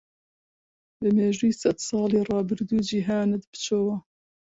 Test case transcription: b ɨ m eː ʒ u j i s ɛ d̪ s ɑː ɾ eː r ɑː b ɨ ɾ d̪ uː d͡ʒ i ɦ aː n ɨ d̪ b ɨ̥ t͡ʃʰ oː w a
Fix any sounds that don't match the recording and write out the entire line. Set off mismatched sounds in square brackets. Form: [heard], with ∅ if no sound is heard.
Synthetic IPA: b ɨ m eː ʒ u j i s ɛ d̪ s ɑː [l] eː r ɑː b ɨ ɾ d̪ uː d͡ʒ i ɦ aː n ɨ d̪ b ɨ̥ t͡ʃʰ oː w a